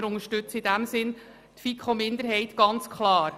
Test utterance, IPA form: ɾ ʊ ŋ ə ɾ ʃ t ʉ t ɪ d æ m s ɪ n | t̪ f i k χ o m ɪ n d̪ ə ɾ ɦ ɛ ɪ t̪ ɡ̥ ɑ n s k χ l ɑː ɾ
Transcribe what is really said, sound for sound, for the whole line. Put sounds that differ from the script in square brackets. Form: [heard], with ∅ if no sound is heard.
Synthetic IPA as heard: ɾ ʊ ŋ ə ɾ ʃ t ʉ [t͡s] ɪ d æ m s ɪ n | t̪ f i k χ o m ɪ n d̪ ə ɾ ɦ ɛ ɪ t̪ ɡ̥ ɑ n [t͡s] k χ l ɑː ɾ